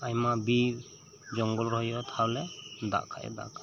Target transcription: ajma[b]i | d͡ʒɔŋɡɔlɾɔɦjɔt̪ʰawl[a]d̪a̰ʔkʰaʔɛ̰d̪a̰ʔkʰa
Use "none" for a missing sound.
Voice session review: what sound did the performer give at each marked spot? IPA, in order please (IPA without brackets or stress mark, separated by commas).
b, ɛ